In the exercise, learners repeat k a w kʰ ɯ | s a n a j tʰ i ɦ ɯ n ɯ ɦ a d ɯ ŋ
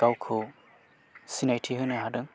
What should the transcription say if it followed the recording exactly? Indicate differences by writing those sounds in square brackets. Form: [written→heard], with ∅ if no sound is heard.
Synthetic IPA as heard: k a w kʰ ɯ | s [a→i] n a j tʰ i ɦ ɯ n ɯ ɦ a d ɯ ŋ